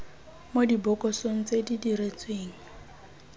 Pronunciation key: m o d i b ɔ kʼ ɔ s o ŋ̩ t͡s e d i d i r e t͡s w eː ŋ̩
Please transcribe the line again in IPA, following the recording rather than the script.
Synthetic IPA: m o d i b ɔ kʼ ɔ s o ŋ̩ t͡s e d i d i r e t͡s w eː ŋ̩